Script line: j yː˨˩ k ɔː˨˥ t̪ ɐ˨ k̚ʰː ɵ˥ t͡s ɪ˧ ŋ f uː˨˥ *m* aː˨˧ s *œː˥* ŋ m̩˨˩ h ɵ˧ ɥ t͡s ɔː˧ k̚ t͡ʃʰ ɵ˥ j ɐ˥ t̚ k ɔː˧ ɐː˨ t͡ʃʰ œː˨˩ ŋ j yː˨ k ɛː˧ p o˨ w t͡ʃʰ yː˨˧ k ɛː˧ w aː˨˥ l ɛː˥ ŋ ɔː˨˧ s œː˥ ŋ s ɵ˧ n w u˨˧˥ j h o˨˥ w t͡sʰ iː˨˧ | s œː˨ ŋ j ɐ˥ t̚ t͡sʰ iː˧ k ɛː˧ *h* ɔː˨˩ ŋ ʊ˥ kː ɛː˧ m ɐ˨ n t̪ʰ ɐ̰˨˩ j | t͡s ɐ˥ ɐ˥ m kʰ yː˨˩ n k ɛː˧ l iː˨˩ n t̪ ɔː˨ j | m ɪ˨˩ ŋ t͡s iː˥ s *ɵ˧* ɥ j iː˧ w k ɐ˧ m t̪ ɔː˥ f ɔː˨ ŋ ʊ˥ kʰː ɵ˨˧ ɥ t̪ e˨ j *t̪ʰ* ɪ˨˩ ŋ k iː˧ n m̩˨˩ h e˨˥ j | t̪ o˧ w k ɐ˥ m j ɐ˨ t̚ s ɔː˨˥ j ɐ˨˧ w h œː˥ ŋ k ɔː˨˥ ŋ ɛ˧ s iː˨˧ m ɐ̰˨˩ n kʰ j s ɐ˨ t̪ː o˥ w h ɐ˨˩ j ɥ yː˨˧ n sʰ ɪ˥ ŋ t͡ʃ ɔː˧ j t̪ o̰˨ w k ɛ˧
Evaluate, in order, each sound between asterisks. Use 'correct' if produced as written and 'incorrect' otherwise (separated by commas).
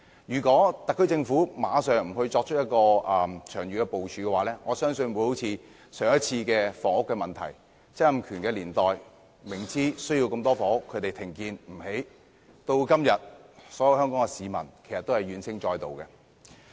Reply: correct, incorrect, incorrect, incorrect, correct